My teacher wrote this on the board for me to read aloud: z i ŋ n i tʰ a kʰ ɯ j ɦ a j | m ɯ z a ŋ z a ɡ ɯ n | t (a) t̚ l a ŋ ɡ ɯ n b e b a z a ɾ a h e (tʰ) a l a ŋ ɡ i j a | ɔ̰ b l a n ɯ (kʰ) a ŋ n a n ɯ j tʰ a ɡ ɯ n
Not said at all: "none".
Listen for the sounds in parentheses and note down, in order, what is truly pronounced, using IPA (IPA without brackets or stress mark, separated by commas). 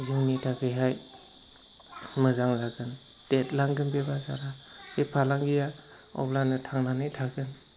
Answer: e, pʰ, tʰ